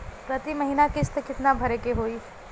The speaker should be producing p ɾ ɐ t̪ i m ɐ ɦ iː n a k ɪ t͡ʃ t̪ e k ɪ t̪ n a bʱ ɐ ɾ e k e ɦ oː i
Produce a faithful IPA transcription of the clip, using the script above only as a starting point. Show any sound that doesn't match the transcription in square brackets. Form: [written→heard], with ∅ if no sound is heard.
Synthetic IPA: p ɾ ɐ t̪ i m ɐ ɦ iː n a k ɪ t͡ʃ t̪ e k ɪ t̪ n a bʱ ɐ ɾ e k e ɦ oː i